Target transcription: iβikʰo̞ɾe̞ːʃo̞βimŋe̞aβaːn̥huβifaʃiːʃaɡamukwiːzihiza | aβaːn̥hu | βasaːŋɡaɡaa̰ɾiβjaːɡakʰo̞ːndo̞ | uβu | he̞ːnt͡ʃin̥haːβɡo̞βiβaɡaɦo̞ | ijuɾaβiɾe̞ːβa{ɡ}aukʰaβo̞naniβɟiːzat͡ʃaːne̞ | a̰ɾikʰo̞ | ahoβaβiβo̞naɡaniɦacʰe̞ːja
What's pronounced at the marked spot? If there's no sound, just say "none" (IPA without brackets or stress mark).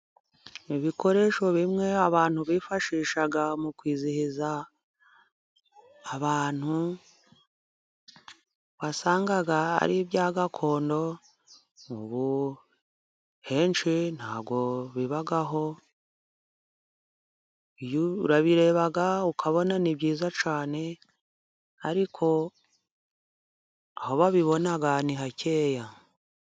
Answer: ɡ